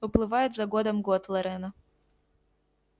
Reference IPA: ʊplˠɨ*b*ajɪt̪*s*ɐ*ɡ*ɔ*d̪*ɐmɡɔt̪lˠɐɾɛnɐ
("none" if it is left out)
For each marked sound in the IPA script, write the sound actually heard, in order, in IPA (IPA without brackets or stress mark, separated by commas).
v, z, ɡ, d̪